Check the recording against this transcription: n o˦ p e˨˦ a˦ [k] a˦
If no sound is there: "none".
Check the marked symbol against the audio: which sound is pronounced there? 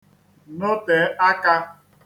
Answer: k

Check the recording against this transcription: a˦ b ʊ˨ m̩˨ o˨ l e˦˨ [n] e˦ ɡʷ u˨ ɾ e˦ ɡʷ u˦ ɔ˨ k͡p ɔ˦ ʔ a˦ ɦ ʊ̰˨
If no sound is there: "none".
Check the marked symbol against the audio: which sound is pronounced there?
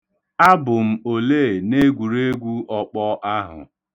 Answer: n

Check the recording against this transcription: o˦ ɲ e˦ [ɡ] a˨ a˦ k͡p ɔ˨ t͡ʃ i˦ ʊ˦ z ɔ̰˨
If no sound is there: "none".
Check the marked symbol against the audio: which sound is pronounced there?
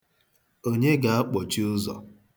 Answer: ɡ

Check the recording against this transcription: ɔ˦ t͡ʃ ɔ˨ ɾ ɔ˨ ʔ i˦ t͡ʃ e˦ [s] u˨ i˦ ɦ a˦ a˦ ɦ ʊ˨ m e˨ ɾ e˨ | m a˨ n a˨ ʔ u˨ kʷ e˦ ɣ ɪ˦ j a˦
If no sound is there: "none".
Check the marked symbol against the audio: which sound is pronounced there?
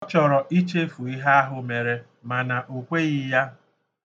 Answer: f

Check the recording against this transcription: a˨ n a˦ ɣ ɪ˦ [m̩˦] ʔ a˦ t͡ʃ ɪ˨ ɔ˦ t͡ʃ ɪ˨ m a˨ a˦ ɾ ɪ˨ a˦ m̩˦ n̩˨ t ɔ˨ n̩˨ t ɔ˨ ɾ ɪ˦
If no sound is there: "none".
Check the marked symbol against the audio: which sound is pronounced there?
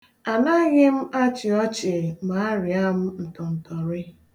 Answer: m̩˦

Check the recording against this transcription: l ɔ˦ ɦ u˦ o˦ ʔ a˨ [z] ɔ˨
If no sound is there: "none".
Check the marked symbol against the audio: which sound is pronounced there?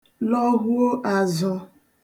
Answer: z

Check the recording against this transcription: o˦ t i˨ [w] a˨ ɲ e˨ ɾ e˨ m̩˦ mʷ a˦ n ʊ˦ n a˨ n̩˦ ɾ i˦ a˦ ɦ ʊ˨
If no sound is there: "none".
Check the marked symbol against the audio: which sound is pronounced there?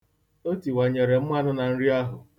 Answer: w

